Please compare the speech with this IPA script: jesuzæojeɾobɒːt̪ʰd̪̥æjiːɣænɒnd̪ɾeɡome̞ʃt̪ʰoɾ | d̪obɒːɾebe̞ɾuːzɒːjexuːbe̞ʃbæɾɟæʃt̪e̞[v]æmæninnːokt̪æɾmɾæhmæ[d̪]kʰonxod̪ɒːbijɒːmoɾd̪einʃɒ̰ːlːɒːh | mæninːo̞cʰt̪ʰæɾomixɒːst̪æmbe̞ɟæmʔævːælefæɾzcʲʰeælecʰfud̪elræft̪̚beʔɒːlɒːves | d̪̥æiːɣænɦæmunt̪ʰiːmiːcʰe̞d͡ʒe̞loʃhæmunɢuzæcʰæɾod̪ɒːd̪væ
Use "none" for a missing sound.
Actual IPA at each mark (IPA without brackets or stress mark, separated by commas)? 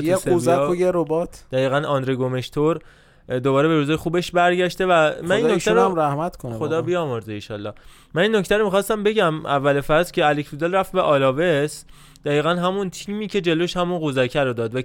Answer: v, t̪